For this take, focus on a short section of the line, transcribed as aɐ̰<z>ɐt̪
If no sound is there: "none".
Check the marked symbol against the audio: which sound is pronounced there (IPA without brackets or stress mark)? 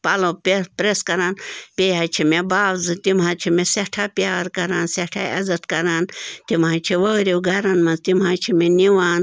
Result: z